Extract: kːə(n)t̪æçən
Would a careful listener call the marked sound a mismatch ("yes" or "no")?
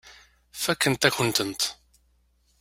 no